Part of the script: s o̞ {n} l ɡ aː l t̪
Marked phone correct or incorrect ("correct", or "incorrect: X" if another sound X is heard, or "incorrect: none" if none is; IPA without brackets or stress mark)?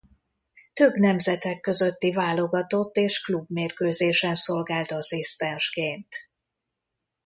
incorrect: none